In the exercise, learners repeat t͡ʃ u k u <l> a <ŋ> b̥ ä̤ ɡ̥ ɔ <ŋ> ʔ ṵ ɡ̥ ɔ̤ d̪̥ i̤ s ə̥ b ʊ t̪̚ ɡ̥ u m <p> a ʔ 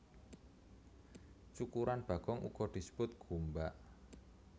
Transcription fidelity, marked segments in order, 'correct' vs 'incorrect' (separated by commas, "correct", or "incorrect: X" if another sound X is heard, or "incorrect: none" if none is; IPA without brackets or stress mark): incorrect: ɾ, incorrect: n, correct, incorrect: b